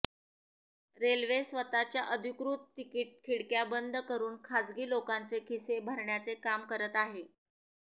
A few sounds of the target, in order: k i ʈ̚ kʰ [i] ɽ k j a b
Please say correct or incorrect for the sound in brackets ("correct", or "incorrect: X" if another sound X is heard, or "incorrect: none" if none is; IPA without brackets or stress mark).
correct